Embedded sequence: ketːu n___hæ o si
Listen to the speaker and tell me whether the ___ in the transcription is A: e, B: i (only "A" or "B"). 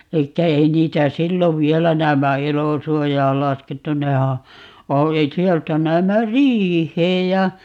A